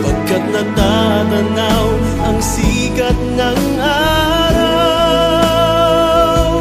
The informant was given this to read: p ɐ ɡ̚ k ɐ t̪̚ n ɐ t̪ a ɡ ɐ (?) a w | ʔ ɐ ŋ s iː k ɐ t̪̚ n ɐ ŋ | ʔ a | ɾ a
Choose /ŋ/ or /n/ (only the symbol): n